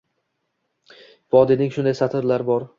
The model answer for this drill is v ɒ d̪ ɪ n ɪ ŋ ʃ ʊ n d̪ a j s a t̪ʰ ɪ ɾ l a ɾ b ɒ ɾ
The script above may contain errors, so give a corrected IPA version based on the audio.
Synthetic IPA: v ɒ d̪ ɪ n ɪ ŋ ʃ ʊ n d̪ a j s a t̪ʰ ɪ ɾ l a ɾ b ɒ ɾ